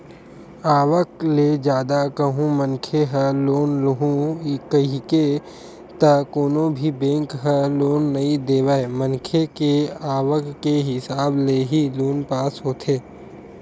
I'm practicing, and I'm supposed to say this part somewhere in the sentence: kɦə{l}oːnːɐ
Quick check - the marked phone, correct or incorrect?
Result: correct